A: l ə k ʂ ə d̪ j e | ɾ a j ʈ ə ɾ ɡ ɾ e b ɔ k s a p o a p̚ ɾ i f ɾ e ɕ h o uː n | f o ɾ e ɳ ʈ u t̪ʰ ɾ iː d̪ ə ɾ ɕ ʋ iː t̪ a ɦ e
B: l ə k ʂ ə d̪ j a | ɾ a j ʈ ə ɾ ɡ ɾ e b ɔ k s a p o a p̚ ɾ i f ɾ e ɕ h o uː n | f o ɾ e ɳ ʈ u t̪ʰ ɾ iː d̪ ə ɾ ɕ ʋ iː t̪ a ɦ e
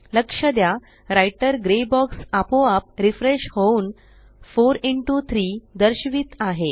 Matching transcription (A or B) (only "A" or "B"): B